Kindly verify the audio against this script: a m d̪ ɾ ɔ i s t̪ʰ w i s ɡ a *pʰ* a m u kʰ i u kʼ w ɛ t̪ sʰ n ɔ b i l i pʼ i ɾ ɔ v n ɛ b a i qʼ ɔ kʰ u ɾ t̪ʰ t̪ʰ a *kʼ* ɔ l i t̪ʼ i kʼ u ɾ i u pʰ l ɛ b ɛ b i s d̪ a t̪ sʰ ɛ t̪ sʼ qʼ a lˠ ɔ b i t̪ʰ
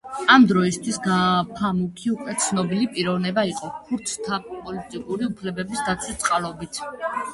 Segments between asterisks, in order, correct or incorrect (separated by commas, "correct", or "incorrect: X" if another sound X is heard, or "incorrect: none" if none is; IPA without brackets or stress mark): correct, incorrect: pʼ